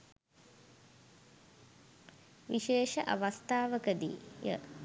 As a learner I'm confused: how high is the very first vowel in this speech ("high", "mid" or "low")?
high